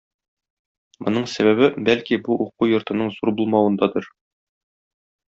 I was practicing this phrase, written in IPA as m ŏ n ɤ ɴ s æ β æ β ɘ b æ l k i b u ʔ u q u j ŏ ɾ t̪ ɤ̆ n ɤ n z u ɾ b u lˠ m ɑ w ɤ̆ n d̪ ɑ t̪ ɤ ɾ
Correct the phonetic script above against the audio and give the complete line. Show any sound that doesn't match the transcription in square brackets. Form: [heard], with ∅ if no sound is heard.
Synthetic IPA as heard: m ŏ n ɤ ɴ s æ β æ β ɘ b æ l k i b u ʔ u q u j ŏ ɾ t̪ ɤ̆ n ɤ [ɴ] z u ɾ b u lˠ m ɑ w ɤ̆ n d̪ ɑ [d̪] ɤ ɾ